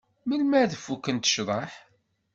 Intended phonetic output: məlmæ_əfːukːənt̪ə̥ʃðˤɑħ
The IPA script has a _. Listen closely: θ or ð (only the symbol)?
ð